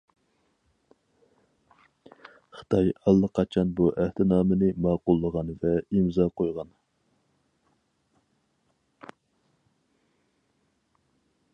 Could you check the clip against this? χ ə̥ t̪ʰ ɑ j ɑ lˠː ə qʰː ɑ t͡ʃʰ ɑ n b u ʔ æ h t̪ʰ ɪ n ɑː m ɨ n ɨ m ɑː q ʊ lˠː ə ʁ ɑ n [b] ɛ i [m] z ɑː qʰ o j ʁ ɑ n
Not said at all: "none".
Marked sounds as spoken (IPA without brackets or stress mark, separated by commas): v, m